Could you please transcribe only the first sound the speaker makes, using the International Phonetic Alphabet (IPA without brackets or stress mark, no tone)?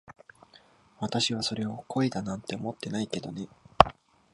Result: β